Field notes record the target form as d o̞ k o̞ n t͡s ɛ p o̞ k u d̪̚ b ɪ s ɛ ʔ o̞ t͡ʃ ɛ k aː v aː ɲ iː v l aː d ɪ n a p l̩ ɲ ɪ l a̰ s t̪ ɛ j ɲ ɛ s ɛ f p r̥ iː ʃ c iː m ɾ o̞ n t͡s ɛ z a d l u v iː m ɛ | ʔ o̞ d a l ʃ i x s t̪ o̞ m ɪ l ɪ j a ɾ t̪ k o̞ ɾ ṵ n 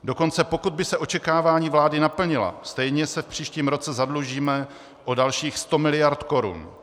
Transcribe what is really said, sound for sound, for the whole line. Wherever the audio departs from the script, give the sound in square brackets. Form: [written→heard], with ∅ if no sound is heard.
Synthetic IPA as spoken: d o̞ k o̞ n t͡s ɛ p o̞ k u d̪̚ b ɪ s ɛ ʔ o̞ t͡ʃ ɛ k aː v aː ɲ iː v l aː d ɪ n a p l̩ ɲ ɪ l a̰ s t̪ ɛ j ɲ ɛ s ɛ f p r̥ iː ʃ c iː m ɾ o̞ [n→∅] t͡s ɛ z a d l u [v→ʒ] iː m ɛ | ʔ o̞ d a l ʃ [i→iː] x s t̪ o̞ m ɪ l ɪ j a ɾ t̪ k o̞ ɾ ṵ n

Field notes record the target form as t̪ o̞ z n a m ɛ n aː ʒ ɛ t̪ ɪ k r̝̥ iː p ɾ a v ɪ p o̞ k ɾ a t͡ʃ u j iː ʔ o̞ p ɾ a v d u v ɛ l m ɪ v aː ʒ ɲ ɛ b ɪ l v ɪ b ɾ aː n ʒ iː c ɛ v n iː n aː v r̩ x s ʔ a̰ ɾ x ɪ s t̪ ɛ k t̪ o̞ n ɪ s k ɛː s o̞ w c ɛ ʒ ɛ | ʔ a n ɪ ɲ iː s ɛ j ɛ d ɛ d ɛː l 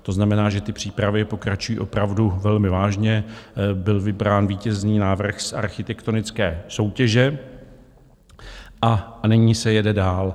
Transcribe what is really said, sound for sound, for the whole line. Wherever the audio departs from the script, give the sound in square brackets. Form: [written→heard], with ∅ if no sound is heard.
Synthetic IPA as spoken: t̪ o̞ z n a m ɛ n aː ʒ ɛ t̪ ɪ [k→p] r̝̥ iː p ɾ a v ɪ p o̞ k ɾ a t͡ʃ u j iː ʔ o̞ p ɾ a v d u v ɛ l m ɪ v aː ʒ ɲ ɛ b ɪ l v ɪ b ɾ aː n [ʒ→v] iː c ɛ [v→z] n iː n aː v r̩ x s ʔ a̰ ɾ x ɪ [s→∅] t̪ ɛ k t̪ o̞ n ɪ [s→t͡s] k ɛː s o̞ w c ɛ ʒ ɛ | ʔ a n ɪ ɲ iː s ɛ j ɛ d ɛ d [ɛː→aː] l

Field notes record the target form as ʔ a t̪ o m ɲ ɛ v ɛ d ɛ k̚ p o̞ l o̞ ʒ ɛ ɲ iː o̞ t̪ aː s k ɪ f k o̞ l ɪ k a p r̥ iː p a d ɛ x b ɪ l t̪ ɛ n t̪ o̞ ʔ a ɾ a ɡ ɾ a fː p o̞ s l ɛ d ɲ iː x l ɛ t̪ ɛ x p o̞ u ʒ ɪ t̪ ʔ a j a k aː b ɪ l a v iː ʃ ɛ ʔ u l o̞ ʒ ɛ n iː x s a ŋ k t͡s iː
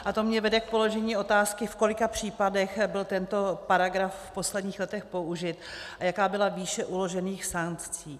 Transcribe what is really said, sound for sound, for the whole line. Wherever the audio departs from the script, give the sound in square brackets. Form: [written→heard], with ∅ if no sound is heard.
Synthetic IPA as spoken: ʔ a t̪ o m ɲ ɛ v ɛ d ɛ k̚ p o̞ l o̞ ʒ ɛ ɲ iː o̞ t̪ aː s k ɪ f k o̞ l ɪ k a p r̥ iː p a d ɛ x b ɪ l t̪ ɛ n t̪ o̞ [ʔ→p] a ɾ a ɡ ɾ a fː p o̞ s l ɛ d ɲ iː x l ɛ t̪ ɛ x p o̞ u ʒ ɪ t̪ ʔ a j a k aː b ɪ l a v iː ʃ ɛ ʔ u l o̞ ʒ ɛ n iː x s a ŋ k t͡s iː

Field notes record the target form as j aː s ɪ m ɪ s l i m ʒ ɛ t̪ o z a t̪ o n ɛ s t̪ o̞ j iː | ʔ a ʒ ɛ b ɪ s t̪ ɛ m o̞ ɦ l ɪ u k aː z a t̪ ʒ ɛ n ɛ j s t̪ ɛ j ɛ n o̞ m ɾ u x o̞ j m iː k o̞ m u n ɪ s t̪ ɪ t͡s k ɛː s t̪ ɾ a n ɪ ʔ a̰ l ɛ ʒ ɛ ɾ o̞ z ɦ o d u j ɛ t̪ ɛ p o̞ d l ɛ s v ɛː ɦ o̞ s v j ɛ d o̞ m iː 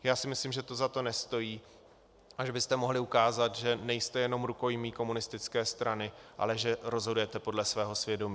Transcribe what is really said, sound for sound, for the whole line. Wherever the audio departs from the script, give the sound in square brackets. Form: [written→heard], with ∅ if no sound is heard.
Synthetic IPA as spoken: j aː s ɪ m ɪ s l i m ʒ ɛ t̪ o z a t̪ o n ɛ s t̪ o̞ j iː | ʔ a ʒ ɛ b ɪ s t̪ ɛ m o̞ ɦ l ɪ u k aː z a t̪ ʒ ɛ n ɛ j s t̪ ɛ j ɛ n o̞ m ɾ u [x→k] o̞ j m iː k o̞ m u n ɪ s t̪ ɪ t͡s k ɛː s t̪ ɾ a n ɪ ʔ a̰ l ɛ ʒ ɛ ɾ o̞ z ɦ o d u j ɛ t̪ ɛ p o̞ d l ɛ s v ɛː ɦ o̞ s v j ɛ d o̞ m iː

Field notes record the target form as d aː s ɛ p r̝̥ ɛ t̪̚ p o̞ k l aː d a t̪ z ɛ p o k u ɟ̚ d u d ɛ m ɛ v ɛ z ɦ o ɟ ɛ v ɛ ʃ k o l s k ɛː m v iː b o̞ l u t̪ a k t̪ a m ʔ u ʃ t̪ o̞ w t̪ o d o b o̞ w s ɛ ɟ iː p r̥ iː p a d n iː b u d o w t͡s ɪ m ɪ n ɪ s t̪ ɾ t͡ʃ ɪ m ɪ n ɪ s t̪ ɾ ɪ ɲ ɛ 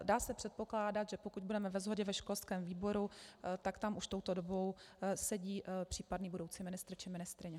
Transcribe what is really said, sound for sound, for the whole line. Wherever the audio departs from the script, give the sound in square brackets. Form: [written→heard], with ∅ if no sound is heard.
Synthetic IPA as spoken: d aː s ɛ p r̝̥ ɛ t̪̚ p o̞ k l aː d a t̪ [z→ʒ] ɛ p o k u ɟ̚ [d→b] u d ɛ m ɛ v ɛ z ɦ o ɟ ɛ v ɛ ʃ k o l s k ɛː m v iː b o̞ [l→ɾ] u t̪ a k t̪ a m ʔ u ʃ t̪ o̞ w t̪ o d o b o̞ w s ɛ ɟ iː p r̥ iː p a d n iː b u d o w t͡s [ɪ→i] m ɪ n ɪ s t̪ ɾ t͡ʃ ɪ m ɪ n ɪ s t̪ ɾ ɪ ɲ ɛ

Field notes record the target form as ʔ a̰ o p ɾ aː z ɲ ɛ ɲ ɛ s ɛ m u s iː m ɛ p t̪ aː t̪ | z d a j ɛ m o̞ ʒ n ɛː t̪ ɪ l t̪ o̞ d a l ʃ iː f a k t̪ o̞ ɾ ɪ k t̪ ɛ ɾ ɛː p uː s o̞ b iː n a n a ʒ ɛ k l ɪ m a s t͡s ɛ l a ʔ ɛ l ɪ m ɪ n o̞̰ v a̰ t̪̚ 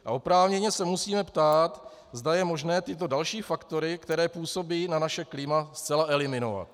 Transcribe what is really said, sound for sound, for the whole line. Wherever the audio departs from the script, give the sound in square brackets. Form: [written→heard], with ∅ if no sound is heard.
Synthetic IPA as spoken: ʔ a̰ o p ɾ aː [z→v] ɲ ɛ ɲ ɛ s ɛ m u s iː m ɛ p t̪ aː t̪ | z d a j ɛ m o̞ ʒ n ɛː t̪ ɪ [l→∅] t̪ o̞ d a l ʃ iː f a k t̪ o̞ ɾ ɪ k t̪ ɛ ɾ ɛː p uː s o̞ b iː n a n a [ʒ→ʃ] ɛ k l ɪ m a s t͡s ɛ l a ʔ ɛ l ɪ m ɪ n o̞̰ v a̰ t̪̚

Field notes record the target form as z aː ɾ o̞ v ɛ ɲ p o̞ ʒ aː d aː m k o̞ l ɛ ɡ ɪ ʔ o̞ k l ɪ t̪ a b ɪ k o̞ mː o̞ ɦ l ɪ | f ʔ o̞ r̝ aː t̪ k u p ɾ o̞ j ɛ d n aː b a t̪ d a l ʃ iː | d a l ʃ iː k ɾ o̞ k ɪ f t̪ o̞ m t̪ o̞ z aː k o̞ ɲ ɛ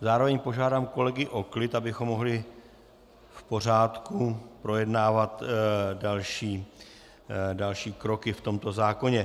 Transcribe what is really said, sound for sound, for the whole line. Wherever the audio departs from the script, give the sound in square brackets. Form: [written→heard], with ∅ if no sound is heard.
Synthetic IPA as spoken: z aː ɾ o̞ v ɛ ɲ p o̞ ʒ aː d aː m k o̞ l ɛ ɡ ɪ ʔ o̞ k l ɪ t̪ a b ɪ [k→x] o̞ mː o̞ ɦ l ɪ | f [ʔ→p] o̞ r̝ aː t̪ k u p ɾ o̞ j ɛ d n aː [b→v] a t̪ d a l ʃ iː | d a l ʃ iː k ɾ o̞ k ɪ f t̪ o̞ m t̪ o̞ z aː k o̞ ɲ ɛ

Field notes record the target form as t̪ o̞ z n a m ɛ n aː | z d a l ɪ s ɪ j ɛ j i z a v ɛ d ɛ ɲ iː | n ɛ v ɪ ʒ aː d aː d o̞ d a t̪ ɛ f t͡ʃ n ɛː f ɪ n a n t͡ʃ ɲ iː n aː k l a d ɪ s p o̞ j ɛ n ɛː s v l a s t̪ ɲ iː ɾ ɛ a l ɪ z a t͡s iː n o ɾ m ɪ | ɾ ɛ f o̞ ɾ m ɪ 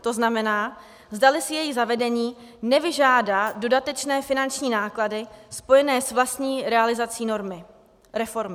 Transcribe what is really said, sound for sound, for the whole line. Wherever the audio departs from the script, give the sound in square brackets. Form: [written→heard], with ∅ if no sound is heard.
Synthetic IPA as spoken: t̪ o̞ z n a m ɛ n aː | z d a l ɪ s ɪ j ɛ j i z a v ɛ d ɛ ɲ iː | n ɛ v ɪ ʒ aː d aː d o̞ d a t̪ ɛ [f→∅] t͡ʃ n ɛː f ɪ n a n t͡ʃ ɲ iː n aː k l a d ɪ s p o̞ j ɛ n ɛː s v l a s t̪ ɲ iː ɾ ɛ a l ɪ z a t͡s iː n o ɾ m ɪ | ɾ ɛ f o̞ ɾ m ɪ

